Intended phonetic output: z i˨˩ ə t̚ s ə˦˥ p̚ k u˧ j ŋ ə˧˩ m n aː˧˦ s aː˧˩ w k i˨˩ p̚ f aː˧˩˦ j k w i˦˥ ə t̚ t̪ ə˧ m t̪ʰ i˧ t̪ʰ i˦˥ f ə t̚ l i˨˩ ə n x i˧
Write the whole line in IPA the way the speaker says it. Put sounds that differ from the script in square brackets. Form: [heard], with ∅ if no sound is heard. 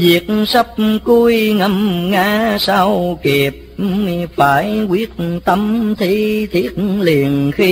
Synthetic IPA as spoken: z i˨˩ ə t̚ s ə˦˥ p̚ k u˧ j ŋ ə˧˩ m [ŋ] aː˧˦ s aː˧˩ w k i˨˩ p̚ f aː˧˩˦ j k w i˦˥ ə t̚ t̪ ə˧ m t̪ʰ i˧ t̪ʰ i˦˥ [∅] ə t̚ l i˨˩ ə n x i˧